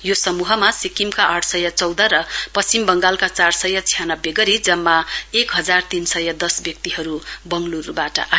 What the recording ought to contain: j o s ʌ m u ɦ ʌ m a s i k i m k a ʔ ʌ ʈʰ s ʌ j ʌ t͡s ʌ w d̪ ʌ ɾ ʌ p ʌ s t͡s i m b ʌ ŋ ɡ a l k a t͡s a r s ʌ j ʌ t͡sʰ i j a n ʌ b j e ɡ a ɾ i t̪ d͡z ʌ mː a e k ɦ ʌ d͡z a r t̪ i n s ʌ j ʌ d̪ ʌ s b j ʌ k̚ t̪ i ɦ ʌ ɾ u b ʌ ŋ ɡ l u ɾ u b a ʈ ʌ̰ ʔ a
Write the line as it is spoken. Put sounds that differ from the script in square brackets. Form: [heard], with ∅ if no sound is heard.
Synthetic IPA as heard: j o s ʌ m u ɦ ʌ m a s i k i m k a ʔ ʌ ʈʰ s ʌ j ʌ t͡s ʌ w d̪ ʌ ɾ ʌ p ʌ s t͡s i m b ʌ ŋ ɡ a l k a t͡s a r s ʌ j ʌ t͡sʰ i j a n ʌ b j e ɡ [ʌ] ɾ i [∅] d͡z ʌ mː a e k ɦ ʌ d͡z a r t̪ i n s ʌ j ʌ d̪ ʌ s b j ʌ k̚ t̪ i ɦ ʌ ɾ u b ʌ ŋ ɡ l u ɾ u b a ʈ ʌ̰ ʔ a

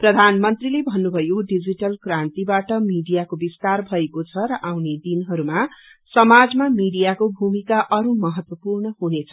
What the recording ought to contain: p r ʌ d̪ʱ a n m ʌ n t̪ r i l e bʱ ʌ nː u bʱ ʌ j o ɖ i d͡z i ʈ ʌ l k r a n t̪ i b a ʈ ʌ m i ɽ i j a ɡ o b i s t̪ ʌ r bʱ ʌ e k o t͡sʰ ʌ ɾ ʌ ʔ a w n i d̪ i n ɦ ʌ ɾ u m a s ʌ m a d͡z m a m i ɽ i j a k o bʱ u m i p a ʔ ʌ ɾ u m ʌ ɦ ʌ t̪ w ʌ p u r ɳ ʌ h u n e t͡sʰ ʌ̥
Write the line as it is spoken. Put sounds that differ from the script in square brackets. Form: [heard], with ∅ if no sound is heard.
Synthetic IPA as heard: p r ʌ d̪ʱ a n m ʌ n t̪ r i l e bʱ ʌ nː u bʱ ʌ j o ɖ i d͡z i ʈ ʌ l k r a n t̪ i b a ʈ ʌ m i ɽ i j a [k] o b i s t̪ [a] r bʱ ʌ e k o t͡sʰ ʌ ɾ ʌ ʔ a w n [e] d̪ i n ɦ ʌ ɾ u m a s ʌ m a d͡z m a m i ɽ i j a k o bʱ u m i [k] a ʔ ʌ ɾ u m ʌ ɦ ʌ t̪ w ʌ p u r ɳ ʌ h u n e t͡sʰ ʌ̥

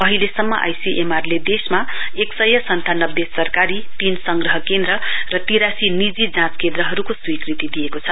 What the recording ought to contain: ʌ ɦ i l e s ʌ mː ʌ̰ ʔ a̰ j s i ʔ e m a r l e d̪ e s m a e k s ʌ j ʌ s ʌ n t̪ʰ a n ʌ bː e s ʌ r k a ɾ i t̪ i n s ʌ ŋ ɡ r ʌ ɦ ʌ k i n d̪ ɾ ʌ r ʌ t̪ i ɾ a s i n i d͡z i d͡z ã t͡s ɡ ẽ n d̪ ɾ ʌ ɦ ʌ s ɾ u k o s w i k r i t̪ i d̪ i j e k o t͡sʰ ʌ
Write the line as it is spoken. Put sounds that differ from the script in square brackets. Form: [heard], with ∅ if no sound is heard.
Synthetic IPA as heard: ʌ ɦ i l e s ʌ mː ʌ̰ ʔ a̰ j s i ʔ e m a r l e d̪ e s m a e k s ʌ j ʌ s ʌ n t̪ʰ a n ʌ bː e s ʌ r k a ɾ i t̪ i n s ʌ ŋ ɡ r ʌ ɦ ʌ k [e] n d̪ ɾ ʌ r ʌ t̪ i ɾ a s i n i d͡z i d͡z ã t͡s [k] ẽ n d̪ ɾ ʌ ɦ ʌ [∅] ɾ u k o s w i k r i t̪ i d̪ i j e k o t͡sʰ ʌ

